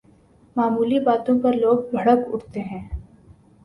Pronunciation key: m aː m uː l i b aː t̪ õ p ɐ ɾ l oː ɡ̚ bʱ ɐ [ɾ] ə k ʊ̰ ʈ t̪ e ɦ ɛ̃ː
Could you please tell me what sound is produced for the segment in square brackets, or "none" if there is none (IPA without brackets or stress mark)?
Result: ɽ